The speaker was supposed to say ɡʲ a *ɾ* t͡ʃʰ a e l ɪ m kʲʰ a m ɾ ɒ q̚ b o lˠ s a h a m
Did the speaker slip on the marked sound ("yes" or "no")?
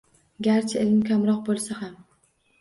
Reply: no